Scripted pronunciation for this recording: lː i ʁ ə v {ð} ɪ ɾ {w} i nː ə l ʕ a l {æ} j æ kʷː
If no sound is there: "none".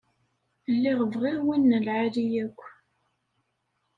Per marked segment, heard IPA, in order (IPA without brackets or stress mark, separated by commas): ʁ, w, i